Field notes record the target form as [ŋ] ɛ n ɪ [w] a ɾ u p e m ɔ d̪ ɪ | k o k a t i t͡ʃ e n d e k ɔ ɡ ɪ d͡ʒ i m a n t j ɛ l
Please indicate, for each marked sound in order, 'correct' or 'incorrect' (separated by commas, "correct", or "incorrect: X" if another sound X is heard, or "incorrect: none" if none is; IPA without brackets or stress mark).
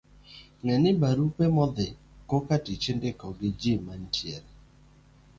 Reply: correct, incorrect: b